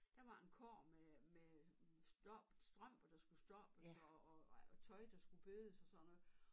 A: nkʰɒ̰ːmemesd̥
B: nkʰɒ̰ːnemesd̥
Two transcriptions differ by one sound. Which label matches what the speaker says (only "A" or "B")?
A